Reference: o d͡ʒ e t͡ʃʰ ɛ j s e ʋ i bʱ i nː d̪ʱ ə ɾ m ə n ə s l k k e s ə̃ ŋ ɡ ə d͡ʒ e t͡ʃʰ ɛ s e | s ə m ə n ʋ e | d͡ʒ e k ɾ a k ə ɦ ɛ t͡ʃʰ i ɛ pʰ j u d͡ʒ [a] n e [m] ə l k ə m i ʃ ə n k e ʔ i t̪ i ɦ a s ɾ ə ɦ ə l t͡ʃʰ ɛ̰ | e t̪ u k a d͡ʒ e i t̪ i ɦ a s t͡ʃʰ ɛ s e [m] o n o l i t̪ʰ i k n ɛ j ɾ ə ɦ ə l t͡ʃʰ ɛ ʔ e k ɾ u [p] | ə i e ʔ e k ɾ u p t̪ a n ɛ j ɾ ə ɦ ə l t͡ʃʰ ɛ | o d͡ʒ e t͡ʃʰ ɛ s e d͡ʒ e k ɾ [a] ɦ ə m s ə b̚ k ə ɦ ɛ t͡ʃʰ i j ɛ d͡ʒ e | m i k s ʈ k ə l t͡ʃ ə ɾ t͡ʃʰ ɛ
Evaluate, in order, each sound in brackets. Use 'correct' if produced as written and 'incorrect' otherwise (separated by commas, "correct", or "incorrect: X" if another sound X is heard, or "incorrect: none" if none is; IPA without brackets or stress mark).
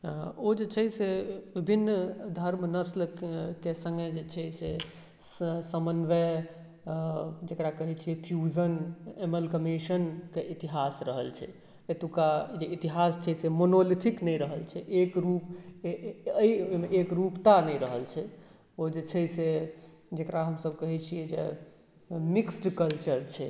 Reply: incorrect: ə, correct, correct, correct, correct